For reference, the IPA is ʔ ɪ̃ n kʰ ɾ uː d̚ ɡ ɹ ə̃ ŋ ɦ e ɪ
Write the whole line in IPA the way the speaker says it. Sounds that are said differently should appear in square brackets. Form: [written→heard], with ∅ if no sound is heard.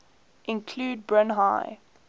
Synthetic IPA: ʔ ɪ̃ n kʰ [ɾ→l] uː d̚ [ɡ→b] ɹ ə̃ [ŋ→n] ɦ [e→a] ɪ